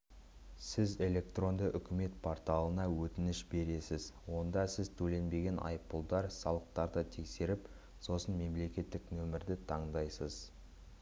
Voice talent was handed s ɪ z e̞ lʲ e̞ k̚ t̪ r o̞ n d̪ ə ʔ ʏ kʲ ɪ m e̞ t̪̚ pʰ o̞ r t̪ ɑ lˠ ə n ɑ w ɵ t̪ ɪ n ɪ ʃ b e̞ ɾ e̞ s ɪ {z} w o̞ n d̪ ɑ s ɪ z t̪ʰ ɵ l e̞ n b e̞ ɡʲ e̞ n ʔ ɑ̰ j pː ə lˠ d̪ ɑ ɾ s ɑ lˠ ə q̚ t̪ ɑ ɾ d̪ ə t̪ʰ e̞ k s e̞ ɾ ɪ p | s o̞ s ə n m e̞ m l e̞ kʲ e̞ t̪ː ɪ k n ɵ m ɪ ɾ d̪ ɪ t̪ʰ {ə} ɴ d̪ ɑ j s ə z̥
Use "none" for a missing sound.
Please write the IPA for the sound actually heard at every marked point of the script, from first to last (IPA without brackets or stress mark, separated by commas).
z, ɑ